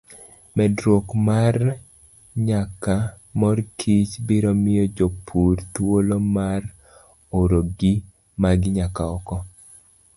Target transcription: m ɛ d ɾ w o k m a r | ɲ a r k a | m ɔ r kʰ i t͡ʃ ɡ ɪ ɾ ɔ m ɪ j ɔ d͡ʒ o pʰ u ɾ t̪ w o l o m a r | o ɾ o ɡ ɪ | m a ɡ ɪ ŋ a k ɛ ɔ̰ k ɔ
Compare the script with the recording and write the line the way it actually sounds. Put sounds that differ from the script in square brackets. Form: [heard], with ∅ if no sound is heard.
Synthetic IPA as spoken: m ɛ d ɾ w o k m a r | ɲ a [∅] k a | m ɔ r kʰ i t͡ʃ [b] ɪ ɾ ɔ m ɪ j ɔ d͡ʒ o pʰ u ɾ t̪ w o l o m a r | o ɾ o ɡ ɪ | m a ɡ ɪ [ɲ] a k [a] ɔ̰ k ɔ